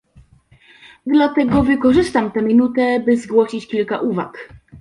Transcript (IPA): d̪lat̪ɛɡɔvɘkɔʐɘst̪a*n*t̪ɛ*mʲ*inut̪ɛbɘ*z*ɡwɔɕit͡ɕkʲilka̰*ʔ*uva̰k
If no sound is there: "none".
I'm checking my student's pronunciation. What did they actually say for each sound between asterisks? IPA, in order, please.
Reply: m, mʲ, z, ʔ

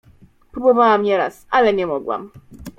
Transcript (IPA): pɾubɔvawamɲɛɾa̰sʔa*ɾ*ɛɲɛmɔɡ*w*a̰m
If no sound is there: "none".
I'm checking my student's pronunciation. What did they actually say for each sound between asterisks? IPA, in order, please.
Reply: l, w

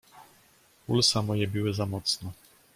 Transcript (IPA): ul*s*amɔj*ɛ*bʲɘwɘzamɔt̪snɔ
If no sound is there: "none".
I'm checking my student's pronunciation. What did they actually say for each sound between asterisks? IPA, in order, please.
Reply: s, ɛ

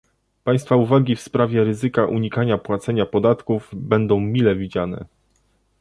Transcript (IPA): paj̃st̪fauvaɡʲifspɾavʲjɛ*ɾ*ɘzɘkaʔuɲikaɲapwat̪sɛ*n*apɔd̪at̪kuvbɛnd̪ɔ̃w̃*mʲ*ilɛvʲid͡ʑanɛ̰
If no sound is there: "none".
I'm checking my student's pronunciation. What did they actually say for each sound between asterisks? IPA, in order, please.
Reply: ɾ, ɲ, mʲ

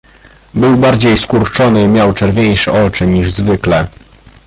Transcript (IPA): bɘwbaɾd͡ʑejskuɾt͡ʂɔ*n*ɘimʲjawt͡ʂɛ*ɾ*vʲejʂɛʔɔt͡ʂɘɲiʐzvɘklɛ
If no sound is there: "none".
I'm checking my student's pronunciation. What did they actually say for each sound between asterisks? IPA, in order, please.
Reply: n, ɾ

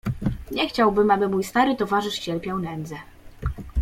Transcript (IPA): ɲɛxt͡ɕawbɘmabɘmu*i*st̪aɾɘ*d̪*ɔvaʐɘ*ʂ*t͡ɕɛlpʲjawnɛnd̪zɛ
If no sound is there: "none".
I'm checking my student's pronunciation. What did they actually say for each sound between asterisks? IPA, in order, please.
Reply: j, t̪, ʂ

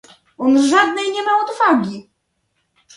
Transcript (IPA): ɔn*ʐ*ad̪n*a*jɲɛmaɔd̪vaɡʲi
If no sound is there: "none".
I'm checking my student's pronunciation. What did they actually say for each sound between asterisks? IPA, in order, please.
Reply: ʐ, ɛ

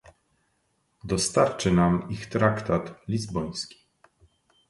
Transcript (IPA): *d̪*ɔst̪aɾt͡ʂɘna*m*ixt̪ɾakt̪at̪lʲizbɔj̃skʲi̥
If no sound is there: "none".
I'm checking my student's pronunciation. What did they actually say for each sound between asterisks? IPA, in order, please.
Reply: d̪, m

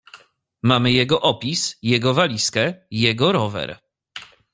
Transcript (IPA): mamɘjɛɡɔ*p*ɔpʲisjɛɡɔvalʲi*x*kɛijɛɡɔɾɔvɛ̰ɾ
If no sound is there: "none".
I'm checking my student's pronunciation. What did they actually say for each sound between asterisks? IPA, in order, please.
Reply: ʔ, s

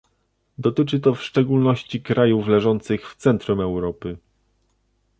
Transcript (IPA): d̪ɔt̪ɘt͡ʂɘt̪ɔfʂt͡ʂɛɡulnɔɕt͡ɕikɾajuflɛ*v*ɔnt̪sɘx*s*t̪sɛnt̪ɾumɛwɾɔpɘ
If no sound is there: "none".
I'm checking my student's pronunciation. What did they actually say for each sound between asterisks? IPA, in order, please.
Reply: ʐ, f

